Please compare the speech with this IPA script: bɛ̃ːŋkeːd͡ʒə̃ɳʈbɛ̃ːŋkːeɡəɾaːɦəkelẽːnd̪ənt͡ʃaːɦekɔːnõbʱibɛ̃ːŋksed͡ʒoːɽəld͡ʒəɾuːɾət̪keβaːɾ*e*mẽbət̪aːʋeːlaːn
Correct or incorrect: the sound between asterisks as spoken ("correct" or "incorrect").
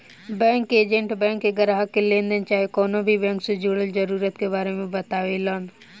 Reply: correct